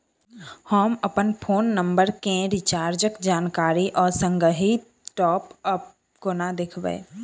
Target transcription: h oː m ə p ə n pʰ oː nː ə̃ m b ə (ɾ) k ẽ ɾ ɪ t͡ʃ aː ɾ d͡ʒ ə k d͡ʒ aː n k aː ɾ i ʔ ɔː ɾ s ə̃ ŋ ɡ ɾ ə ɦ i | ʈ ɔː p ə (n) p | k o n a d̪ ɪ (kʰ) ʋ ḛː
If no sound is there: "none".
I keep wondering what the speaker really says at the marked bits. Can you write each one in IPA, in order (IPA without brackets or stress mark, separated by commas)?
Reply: ɾ, none, kʰ